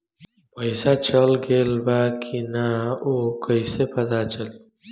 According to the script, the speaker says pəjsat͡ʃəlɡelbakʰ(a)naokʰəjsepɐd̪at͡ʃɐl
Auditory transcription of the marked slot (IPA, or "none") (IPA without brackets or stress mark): i